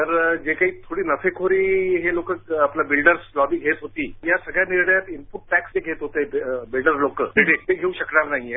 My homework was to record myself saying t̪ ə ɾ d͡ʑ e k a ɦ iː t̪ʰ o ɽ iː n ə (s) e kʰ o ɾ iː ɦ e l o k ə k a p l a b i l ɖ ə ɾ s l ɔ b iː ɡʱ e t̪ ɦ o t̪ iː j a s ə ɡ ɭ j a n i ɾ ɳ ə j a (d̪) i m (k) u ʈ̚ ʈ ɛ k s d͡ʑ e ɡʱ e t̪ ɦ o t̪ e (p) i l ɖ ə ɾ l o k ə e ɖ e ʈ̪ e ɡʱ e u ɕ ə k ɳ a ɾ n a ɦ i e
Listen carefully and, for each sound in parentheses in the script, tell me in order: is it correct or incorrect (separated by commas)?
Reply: incorrect, incorrect, incorrect, incorrect